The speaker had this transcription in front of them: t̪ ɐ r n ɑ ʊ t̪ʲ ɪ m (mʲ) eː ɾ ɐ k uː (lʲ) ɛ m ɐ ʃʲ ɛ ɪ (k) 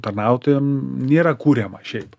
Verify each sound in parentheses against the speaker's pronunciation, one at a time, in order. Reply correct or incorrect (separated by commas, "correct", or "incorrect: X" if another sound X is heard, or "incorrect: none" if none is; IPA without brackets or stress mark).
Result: incorrect: nʲ, incorrect: ɾʲ, incorrect: p